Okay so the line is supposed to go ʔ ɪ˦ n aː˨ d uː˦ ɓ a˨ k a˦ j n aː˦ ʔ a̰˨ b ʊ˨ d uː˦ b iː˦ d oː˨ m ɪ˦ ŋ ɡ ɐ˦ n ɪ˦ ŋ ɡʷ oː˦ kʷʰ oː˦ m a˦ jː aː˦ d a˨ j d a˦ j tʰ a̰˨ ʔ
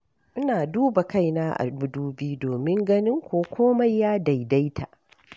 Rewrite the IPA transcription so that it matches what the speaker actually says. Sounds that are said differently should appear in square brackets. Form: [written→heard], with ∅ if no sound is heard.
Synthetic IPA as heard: ʔ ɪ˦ n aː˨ d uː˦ [ɓ→b] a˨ k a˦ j n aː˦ ʔ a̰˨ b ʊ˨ d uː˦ b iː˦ d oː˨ m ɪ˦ ŋ ɡ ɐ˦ n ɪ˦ ŋ [ɡʷ→kʷ] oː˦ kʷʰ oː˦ m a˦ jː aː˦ d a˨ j d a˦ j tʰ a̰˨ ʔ